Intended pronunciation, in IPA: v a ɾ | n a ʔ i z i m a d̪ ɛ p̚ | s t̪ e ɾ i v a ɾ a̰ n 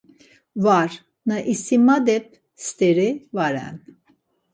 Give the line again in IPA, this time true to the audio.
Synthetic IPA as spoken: v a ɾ | n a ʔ i s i m a d̪ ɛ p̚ | s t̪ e ɾ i v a ɾ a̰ n